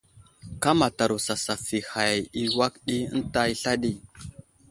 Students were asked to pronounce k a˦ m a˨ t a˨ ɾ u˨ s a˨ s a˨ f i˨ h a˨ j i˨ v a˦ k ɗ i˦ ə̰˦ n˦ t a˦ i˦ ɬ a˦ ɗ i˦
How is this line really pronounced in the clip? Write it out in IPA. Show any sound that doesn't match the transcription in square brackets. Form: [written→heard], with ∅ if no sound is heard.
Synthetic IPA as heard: k a˦ m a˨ t a˨ ɾ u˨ s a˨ s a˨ f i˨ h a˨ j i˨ [v→w] a˦ k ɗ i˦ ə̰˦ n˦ t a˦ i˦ ɬ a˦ ɗ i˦

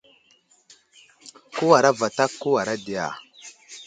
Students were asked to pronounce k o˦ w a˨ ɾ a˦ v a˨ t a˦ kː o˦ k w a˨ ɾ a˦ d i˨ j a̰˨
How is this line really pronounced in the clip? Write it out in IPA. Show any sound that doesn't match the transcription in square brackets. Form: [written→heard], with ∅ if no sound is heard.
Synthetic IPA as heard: k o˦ w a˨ ɾ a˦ v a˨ t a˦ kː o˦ [k→∅] w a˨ ɾ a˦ d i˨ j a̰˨

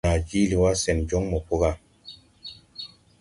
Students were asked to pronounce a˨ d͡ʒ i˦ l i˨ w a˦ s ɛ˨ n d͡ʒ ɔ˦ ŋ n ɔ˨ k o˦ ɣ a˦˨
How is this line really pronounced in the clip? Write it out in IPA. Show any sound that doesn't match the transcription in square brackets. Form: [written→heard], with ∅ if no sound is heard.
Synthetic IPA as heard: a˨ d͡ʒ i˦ l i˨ w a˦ s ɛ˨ n d͡ʒ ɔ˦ ŋ [n→m] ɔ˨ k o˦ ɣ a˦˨

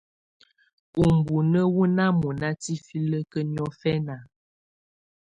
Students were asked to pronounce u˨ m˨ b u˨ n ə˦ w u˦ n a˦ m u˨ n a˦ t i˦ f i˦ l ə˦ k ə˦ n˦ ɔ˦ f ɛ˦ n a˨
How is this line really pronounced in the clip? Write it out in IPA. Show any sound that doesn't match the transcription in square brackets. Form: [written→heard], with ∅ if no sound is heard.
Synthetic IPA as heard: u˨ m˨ b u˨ n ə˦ w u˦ n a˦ m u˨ n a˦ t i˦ f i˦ l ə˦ k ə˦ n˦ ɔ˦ f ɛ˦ n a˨

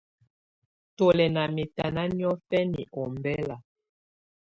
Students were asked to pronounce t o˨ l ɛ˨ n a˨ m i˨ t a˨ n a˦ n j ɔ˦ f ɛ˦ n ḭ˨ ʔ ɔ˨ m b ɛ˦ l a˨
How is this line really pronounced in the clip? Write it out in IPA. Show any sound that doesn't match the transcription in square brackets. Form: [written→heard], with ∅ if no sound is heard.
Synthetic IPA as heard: t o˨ l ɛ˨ n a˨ m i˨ t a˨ n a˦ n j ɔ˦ f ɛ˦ n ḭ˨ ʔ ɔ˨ m b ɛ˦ l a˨

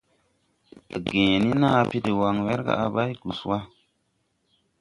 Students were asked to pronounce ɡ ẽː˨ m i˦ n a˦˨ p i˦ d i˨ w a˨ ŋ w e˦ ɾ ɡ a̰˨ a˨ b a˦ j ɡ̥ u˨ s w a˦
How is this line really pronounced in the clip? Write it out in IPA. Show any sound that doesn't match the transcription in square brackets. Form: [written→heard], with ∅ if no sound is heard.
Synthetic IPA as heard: ɡ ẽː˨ [m→n] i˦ n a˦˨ p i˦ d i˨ w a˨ ŋ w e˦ ɾ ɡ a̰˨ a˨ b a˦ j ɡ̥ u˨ s w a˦

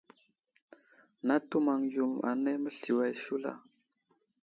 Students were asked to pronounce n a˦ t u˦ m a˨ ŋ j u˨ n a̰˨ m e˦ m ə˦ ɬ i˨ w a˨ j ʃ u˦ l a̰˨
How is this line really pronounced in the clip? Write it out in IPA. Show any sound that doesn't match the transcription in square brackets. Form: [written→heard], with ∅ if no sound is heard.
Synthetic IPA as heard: n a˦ t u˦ m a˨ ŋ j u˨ [n→m] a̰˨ [m→n] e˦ m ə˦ ɬ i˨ w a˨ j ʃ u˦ l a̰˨

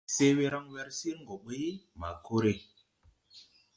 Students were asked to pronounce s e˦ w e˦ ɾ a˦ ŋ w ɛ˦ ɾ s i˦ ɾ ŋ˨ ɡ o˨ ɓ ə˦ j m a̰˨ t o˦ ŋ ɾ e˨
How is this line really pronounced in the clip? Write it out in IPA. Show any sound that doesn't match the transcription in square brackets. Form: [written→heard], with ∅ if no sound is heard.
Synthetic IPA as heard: s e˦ w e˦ ɾ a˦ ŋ w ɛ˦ ɾ s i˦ ɾ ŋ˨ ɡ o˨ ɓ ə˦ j m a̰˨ [t→k] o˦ [ŋ→∅] ɾ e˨

